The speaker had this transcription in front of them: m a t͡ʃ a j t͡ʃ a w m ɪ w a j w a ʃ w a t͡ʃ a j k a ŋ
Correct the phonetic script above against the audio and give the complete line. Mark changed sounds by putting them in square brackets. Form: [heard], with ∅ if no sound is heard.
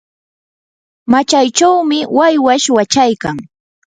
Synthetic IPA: m a t͡ʃ a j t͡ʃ a w m ɪ w a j w a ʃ w a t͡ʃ a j k a ŋ